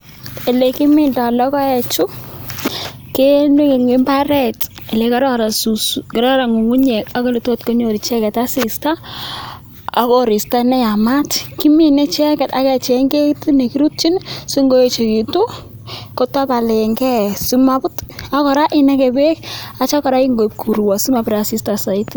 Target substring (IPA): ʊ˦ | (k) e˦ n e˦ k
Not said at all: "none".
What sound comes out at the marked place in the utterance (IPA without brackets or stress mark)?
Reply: k